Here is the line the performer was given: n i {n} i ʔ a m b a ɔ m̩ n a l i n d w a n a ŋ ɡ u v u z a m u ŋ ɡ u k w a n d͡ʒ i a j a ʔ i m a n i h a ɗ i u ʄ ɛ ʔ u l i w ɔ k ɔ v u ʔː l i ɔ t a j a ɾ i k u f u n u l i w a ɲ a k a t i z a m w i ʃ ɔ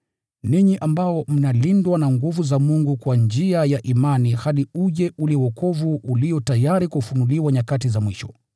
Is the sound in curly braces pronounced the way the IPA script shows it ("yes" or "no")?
no